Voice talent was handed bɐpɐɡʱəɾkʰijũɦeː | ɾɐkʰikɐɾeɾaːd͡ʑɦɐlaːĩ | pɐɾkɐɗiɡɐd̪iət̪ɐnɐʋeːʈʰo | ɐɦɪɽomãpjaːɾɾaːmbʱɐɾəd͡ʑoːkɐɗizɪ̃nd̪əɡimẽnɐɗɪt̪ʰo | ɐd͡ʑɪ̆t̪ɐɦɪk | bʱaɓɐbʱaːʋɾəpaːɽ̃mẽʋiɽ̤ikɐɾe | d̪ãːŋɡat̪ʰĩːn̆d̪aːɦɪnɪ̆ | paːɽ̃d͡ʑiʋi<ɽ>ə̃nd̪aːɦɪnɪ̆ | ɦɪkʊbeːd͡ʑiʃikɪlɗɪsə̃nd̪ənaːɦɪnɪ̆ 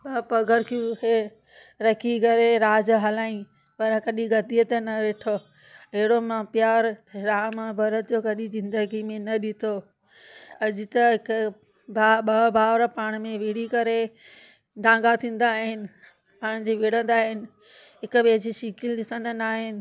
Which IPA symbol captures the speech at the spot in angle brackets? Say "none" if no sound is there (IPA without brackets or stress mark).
ɽ